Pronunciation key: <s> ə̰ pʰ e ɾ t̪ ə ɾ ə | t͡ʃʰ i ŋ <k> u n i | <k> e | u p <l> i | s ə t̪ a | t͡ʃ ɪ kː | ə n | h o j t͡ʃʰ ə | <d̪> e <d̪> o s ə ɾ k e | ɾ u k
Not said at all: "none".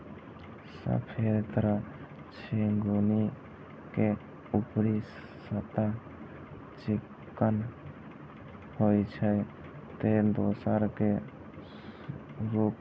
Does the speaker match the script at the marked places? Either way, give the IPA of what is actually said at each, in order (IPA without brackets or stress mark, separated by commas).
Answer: s, ɡ, k, ɾ, t̪, d̪